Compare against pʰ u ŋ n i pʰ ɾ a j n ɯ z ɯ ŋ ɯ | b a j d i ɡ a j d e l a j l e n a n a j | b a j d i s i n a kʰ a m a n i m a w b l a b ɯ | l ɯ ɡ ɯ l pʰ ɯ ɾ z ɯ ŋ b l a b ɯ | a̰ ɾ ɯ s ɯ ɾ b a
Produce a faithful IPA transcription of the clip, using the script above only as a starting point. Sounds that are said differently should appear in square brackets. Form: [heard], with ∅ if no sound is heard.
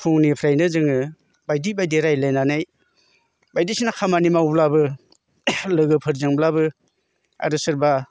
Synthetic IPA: pʰ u ŋ n i pʰ ɾ a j n ɯ z ɯ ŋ ɯ | b a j d i [b] a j d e [ɾ] a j l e n a n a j | b a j d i s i n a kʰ a m a n i m a w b l a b ɯ | l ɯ ɡ ɯ [∅] pʰ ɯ ɾ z ɯ ŋ b l a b ɯ | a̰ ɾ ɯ s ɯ ɾ b a